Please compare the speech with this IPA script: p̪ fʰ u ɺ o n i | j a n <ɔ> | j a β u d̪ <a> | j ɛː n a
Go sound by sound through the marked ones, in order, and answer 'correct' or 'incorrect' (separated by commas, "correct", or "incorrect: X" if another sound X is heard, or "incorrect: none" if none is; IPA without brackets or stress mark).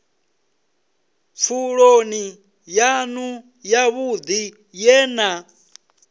incorrect: u, incorrect: i